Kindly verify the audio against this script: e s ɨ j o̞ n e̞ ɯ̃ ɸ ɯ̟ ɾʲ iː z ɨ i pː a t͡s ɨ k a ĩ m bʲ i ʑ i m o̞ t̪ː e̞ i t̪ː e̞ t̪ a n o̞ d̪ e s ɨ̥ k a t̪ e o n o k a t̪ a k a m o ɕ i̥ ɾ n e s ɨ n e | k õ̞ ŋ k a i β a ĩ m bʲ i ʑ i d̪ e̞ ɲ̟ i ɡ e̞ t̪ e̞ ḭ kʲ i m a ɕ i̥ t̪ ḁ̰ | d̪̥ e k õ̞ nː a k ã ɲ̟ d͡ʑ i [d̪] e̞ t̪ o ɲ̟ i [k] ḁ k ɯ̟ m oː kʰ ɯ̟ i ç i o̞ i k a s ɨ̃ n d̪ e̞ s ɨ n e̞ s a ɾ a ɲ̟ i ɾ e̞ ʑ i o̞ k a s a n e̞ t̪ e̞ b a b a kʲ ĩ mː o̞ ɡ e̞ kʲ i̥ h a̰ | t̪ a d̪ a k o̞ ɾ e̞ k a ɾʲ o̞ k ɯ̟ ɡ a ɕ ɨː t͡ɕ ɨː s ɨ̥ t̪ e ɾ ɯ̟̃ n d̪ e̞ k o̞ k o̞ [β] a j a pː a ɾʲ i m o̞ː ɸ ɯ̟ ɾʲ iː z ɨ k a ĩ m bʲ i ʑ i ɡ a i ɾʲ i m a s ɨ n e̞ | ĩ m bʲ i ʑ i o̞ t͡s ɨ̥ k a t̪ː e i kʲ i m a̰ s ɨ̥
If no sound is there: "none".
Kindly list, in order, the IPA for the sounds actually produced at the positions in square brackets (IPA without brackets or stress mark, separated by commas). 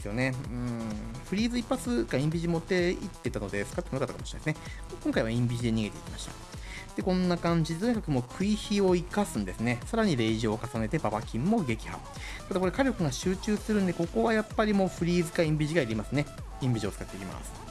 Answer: d̪, k, β